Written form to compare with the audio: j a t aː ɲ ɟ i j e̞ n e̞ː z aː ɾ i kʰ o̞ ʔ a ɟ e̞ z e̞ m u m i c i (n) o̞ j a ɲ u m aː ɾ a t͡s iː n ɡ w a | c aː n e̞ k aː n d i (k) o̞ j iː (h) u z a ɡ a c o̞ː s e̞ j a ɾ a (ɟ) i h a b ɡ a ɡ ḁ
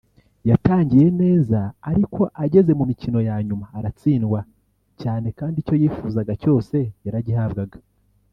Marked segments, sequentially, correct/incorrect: correct, incorrect, incorrect, correct

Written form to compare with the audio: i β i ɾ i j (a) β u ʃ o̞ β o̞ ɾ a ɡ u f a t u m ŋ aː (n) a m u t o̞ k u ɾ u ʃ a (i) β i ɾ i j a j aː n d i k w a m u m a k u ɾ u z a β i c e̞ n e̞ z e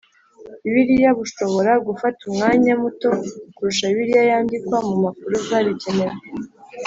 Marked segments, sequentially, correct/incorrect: correct, incorrect, correct

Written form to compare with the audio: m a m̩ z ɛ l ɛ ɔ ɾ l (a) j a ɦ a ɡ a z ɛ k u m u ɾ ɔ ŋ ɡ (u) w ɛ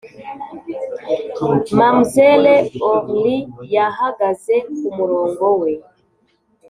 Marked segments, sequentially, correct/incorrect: incorrect, incorrect

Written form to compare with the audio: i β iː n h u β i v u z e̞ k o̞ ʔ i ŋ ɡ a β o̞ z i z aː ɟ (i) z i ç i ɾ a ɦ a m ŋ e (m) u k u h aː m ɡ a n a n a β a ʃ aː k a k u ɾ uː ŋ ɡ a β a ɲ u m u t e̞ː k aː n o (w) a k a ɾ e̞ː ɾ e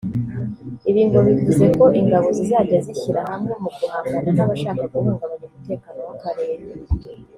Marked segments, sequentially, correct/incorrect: incorrect, correct, correct

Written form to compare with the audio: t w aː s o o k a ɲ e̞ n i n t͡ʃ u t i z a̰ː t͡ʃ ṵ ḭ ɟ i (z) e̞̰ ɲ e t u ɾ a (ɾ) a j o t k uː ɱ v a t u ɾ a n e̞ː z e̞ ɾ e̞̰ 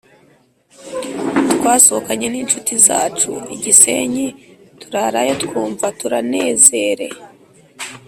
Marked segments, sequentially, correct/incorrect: incorrect, correct

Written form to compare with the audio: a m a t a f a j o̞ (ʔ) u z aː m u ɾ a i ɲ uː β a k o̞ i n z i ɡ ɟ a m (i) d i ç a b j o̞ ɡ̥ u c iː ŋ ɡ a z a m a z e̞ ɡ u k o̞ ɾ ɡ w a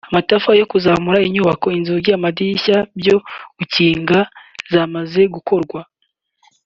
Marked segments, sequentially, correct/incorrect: incorrect, incorrect

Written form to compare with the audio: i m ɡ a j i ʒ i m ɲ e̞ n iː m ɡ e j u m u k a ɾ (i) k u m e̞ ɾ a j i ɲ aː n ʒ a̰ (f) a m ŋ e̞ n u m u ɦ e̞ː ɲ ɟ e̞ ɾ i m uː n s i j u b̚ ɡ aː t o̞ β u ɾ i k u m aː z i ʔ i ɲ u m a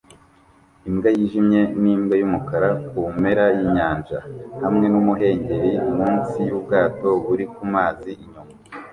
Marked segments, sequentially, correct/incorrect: incorrect, incorrect

